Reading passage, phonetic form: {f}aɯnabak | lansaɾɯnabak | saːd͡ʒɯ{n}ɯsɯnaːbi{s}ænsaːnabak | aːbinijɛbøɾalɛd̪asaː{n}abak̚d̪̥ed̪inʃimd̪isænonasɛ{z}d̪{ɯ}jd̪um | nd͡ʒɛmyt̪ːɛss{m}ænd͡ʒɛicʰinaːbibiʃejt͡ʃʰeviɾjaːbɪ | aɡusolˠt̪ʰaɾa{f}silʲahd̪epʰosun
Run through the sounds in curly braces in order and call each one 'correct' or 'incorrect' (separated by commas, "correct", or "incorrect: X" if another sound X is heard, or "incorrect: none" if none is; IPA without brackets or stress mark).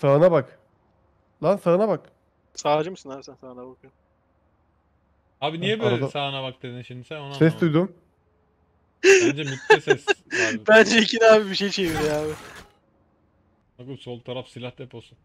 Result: incorrect: s, incorrect: m, correct, correct, incorrect: s, incorrect: u, incorrect: b, correct